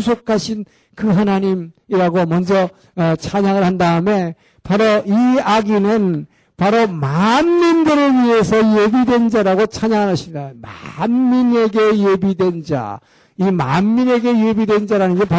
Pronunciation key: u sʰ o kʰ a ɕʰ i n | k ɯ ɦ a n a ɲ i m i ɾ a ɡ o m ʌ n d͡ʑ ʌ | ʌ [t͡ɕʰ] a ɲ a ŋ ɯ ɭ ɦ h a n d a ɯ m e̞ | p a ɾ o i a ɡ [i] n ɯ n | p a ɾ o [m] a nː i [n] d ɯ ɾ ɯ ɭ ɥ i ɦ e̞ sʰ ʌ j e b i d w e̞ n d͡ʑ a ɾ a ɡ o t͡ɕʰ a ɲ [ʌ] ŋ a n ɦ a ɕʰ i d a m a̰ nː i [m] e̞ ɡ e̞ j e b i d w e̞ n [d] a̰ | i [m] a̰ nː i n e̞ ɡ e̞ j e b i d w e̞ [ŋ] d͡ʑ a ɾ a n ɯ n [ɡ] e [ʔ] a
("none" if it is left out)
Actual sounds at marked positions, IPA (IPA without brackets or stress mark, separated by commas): t͡ɕʰ, i, m, n, a, n, d͡ʑ, m, n, ɡ, p